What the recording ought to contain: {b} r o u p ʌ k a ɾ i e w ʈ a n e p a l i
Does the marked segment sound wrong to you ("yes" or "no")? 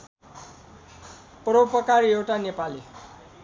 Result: yes